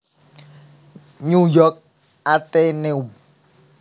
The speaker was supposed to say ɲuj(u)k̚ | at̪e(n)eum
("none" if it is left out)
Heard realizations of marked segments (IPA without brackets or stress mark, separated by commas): ɔ, n